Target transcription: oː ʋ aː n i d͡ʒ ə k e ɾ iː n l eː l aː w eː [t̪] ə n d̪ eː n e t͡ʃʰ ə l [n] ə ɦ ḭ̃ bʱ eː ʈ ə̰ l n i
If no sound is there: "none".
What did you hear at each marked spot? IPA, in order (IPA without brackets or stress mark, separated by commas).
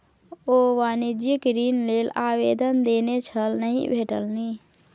d̪, n